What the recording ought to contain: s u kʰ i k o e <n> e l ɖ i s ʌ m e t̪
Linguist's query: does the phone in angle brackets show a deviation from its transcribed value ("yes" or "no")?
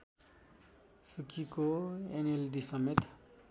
no